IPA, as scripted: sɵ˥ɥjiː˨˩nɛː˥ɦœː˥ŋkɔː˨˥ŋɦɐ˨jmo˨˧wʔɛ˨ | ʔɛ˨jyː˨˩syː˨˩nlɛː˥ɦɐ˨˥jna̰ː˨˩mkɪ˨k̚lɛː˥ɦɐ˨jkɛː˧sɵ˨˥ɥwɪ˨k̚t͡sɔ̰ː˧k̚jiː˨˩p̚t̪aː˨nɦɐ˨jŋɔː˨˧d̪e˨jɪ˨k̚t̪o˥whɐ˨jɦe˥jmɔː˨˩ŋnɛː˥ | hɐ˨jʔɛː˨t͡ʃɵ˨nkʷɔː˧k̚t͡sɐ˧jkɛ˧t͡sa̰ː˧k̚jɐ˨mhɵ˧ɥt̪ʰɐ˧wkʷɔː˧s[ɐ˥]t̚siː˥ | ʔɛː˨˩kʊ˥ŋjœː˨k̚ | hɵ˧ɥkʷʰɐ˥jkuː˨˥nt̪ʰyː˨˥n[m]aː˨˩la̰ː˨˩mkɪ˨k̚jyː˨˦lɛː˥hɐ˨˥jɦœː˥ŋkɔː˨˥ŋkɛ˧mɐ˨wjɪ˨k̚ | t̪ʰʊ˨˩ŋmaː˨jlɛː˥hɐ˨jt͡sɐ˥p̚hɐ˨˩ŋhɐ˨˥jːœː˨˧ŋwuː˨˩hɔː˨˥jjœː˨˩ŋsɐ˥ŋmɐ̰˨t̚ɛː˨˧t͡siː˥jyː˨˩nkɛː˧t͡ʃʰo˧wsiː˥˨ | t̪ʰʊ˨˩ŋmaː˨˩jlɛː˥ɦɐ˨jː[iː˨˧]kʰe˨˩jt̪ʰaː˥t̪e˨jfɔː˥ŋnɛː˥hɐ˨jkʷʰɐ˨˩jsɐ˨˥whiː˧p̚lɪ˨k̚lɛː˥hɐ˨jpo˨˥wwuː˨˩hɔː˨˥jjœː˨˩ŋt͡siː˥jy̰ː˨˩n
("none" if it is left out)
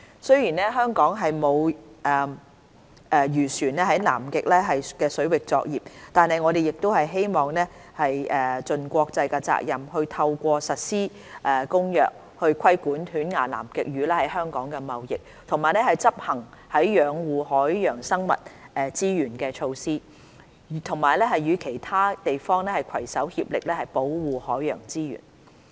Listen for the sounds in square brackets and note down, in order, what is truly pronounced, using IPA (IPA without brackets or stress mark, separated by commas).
ɐ˨, ŋ, yː˨˧